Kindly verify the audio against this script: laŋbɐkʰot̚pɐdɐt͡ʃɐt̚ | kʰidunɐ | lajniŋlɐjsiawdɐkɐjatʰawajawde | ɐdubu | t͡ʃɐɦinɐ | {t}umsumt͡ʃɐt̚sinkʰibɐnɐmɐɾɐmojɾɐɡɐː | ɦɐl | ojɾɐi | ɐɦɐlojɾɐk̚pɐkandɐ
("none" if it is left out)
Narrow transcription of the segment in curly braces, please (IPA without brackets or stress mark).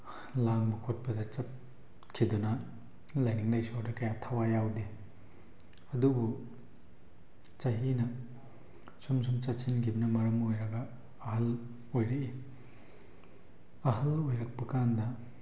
s